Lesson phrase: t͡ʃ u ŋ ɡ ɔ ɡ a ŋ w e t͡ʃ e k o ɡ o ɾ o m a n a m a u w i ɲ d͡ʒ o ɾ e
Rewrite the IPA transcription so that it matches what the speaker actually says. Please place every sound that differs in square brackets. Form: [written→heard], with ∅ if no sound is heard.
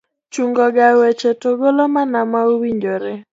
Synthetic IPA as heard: t͡ʃ u ŋ ɡ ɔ ɡ a [ŋ→∅] w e t͡ʃ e [k→t] o ɡ o [ɾ→l] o m a n a m a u w i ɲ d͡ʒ o ɾ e